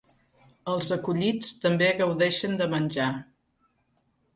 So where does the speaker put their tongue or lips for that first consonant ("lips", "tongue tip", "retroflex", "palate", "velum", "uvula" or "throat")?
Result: tongue tip